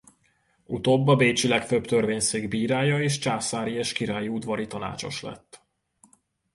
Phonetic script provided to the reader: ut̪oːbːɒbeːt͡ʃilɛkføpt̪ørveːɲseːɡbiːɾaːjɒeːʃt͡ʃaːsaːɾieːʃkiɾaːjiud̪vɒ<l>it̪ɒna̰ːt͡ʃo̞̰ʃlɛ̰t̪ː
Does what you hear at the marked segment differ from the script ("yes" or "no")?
yes